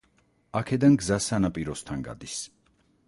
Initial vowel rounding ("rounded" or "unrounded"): unrounded